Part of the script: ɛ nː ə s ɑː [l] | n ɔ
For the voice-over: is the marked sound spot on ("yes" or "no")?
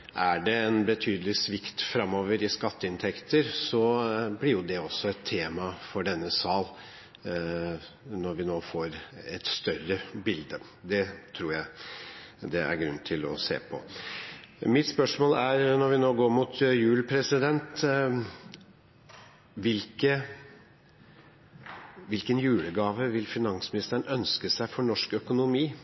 yes